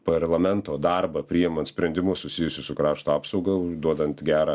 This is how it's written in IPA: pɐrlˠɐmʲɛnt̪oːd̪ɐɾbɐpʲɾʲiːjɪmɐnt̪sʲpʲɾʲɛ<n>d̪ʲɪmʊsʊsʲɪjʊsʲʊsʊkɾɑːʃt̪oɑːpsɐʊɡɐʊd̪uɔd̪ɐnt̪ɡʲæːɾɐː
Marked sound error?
no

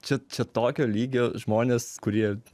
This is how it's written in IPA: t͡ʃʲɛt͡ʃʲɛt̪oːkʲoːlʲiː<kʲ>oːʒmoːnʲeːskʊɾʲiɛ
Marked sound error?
yes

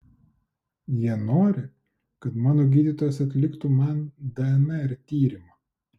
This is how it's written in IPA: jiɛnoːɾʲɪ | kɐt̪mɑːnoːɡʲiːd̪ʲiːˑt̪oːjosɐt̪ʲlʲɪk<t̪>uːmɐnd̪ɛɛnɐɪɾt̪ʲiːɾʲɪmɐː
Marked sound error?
no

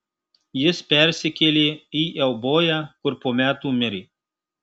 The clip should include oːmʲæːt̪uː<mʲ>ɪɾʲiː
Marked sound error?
no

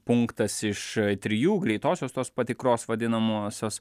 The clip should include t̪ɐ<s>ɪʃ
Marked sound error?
no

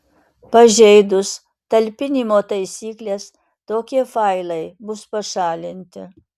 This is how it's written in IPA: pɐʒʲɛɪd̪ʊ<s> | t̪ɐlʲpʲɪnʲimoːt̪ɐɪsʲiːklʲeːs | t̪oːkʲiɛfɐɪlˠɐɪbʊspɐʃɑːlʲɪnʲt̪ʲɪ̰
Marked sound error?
no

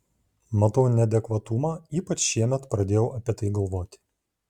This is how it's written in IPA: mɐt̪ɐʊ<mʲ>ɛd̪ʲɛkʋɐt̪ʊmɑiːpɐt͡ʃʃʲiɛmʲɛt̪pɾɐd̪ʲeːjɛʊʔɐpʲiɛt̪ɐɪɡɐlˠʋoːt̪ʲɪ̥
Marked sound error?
yes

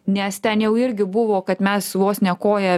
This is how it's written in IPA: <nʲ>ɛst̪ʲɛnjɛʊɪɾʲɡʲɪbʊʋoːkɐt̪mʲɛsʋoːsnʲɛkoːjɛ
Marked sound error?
no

